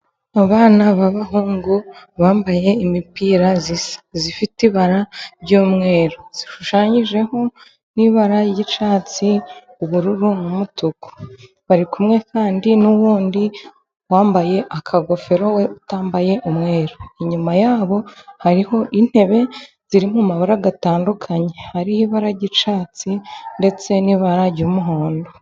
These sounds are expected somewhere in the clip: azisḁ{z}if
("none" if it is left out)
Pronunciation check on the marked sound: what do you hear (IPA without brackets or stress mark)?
z